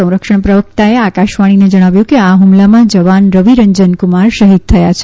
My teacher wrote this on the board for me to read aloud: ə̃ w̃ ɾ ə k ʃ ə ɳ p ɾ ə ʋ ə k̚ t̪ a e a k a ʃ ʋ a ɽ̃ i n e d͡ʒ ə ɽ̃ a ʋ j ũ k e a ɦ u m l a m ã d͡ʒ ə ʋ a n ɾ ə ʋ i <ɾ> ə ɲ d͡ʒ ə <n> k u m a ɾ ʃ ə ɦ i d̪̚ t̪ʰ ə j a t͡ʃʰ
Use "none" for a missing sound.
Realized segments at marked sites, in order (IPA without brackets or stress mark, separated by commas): ɾ, n